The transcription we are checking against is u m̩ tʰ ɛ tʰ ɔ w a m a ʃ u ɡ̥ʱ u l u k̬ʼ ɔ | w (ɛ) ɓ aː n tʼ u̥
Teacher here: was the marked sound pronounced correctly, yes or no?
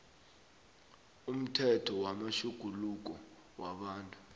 no